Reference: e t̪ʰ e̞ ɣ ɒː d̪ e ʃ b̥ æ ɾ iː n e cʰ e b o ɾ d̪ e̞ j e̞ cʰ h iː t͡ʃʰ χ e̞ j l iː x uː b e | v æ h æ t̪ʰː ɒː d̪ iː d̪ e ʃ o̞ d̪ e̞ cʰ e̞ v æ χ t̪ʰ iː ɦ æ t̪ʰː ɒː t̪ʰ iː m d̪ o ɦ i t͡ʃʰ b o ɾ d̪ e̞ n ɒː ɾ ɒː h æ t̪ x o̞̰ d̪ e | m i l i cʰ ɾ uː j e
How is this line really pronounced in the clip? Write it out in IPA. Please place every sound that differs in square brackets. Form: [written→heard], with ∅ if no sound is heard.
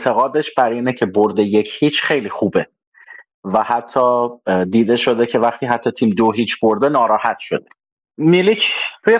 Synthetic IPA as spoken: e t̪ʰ e̞ ɣ ɒː d̪ e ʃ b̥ æ ɾ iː n e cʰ e b o ɾ d̪ e̞ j e̞ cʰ h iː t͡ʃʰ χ e̞ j l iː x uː b e | v æ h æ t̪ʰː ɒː d̪ iː d̪ e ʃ o̞ d̪ e̞ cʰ e̞ v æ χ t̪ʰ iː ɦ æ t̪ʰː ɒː t̪ʰ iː m d̪ o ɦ i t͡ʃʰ b o ɾ d̪ e̞ n ɒː ɾ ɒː h æ t̪ [x→ʃ] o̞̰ d̪ e | m i l i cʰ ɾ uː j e